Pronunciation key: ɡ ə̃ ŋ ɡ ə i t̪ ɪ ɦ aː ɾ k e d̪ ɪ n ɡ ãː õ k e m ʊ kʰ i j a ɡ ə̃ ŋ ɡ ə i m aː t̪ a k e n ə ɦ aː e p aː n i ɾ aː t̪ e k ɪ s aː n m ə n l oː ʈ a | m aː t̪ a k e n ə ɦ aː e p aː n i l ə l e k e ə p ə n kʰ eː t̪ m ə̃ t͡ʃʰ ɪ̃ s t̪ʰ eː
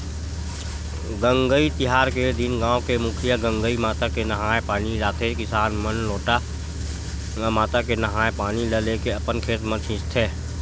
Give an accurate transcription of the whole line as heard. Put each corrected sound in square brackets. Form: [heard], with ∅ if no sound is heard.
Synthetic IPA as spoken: ɡ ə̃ ŋ ɡ ə i t̪ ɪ ɦ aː ɾ k e d̪ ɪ n ɡ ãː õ k e m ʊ kʰ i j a ɡ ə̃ ŋ ɡ ə i m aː t̪ a k e n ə ɦ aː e p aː n i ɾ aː t̪ e k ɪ s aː n m ə n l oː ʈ a | m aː t̪ a k e n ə ɦ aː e p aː n i l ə l e k e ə p ə n kʰ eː t̪ m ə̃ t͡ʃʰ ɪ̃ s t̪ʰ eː